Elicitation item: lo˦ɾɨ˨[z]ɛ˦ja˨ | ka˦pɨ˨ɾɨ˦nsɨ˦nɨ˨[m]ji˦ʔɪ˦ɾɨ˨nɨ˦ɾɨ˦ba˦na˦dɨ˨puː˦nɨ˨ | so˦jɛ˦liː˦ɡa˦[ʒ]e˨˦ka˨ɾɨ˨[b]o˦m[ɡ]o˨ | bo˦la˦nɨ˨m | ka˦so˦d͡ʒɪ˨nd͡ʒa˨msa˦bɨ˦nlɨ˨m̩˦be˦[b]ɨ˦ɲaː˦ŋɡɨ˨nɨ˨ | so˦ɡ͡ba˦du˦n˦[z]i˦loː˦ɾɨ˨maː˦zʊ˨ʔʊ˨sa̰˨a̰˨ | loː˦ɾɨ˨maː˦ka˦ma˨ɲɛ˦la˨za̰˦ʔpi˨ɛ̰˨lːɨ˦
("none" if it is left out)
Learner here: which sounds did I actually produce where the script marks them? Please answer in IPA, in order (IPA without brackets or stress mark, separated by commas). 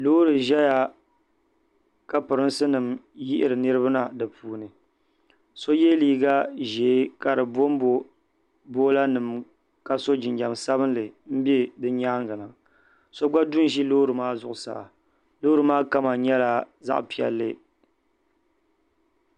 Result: ʒ, m, ʒ, b, b, d, ʒ